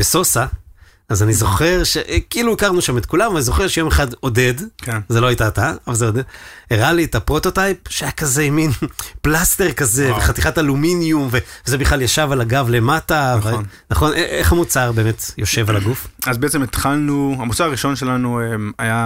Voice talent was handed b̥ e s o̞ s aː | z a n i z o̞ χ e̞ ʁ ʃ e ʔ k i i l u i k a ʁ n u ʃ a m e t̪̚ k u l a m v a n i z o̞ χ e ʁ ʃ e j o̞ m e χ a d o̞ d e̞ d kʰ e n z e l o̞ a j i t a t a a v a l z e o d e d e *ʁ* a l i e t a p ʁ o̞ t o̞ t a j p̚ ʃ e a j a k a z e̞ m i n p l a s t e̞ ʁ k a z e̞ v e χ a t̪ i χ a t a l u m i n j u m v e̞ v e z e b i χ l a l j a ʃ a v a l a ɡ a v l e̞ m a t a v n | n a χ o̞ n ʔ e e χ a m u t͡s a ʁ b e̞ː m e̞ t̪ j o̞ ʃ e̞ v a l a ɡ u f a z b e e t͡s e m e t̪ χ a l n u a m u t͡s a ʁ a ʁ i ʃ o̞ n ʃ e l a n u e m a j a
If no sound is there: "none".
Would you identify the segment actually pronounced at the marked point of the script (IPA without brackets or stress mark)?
ʁ